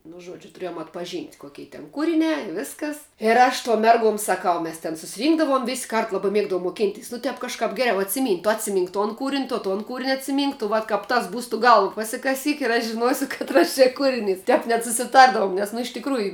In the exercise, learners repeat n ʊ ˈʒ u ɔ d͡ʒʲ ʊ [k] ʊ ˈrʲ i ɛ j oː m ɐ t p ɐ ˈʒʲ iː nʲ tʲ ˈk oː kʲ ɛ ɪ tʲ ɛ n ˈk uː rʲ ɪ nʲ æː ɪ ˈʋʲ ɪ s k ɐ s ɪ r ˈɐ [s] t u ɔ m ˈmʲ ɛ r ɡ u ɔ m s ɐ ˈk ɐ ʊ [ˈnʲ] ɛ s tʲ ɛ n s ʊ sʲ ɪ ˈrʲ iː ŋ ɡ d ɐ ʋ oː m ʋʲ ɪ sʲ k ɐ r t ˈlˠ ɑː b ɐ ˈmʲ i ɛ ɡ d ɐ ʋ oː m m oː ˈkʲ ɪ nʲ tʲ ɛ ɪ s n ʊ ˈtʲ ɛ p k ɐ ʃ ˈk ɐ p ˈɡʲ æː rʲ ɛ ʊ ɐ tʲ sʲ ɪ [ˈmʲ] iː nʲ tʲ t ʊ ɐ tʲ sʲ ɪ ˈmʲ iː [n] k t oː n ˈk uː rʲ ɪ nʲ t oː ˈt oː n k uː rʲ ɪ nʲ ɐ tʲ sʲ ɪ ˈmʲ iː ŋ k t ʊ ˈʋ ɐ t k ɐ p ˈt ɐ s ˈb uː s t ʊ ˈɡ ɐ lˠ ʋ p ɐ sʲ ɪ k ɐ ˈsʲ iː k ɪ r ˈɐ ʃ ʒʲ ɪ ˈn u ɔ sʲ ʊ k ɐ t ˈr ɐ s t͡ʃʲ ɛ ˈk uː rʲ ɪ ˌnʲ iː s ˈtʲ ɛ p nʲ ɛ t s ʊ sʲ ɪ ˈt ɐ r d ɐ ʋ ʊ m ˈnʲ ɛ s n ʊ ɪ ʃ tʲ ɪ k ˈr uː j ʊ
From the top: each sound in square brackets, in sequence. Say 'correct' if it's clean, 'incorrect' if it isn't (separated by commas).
incorrect, incorrect, incorrect, correct, incorrect